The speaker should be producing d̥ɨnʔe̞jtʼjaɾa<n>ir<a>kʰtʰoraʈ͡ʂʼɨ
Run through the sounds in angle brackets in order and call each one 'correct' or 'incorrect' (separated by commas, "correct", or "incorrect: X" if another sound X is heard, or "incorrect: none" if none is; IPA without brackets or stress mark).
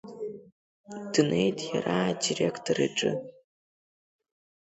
incorrect: d, incorrect: e